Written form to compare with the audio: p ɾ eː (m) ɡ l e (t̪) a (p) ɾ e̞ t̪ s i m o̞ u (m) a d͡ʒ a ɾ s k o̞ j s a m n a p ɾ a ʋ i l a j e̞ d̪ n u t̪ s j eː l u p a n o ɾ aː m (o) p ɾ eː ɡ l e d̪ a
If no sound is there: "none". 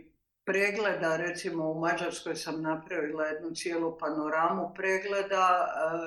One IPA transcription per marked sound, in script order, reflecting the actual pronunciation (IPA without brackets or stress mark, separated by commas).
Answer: none, d̪, none, m, u